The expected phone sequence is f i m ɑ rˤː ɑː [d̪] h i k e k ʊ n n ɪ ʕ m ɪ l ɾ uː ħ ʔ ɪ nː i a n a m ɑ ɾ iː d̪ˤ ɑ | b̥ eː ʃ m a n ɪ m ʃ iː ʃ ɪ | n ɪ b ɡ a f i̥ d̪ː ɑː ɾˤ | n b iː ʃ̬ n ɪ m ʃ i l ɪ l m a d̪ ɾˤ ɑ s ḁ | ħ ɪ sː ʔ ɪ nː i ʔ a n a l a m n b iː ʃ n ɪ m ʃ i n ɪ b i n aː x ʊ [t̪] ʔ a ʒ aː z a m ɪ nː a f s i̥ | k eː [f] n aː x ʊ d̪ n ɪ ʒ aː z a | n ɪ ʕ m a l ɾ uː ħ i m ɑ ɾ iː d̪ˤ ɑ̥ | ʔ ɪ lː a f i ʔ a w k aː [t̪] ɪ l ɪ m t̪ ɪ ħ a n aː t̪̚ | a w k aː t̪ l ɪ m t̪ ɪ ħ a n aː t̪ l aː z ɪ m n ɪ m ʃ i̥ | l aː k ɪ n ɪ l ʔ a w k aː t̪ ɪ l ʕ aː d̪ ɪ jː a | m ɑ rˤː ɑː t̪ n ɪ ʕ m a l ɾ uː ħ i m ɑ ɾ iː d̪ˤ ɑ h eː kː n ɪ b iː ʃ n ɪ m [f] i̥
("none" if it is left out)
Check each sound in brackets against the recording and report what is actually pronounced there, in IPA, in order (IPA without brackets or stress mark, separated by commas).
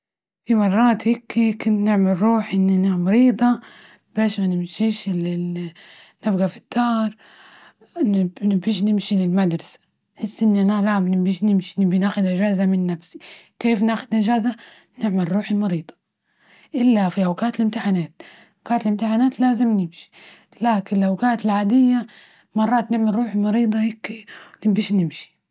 t̪, d̪, f, t̪, ʃ